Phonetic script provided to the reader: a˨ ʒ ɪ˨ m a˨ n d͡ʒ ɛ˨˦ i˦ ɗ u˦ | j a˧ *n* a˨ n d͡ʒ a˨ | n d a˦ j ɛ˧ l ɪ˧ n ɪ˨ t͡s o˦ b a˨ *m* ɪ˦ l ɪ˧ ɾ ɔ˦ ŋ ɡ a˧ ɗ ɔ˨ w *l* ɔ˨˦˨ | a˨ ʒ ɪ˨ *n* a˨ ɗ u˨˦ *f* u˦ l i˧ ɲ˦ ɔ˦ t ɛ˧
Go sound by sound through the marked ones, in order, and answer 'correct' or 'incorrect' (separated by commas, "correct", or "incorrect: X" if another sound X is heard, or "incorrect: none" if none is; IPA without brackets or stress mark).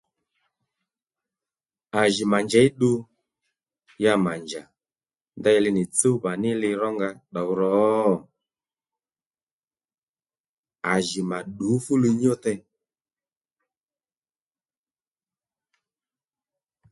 incorrect: m, incorrect: n, incorrect: ɾ, incorrect: m, correct